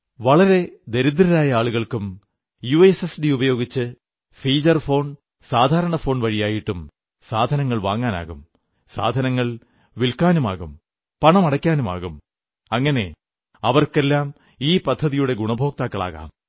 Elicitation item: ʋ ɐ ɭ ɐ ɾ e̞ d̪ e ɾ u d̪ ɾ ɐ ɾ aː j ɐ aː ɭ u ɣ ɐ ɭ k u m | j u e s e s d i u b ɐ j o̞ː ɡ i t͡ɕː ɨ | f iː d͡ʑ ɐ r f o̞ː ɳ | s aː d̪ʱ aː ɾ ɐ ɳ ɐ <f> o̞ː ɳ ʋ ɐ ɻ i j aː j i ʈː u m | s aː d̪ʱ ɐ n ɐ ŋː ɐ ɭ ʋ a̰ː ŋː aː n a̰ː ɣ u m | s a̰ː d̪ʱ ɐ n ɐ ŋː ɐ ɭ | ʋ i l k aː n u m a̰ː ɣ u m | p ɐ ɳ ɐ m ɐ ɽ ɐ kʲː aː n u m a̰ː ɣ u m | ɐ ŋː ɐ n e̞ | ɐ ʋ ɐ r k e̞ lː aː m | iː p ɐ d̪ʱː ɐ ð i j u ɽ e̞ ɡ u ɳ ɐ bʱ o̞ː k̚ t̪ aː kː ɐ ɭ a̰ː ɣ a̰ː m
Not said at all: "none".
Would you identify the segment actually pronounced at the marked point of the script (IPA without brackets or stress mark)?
f